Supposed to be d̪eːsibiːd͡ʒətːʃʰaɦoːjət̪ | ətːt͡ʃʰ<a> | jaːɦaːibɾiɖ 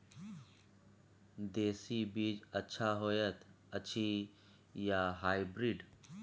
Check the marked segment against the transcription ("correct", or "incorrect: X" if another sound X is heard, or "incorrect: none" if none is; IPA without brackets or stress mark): incorrect: i